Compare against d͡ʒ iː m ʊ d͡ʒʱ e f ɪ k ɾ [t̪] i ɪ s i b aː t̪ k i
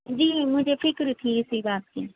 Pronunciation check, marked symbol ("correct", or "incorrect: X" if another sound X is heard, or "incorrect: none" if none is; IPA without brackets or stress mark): incorrect: t̪ʰ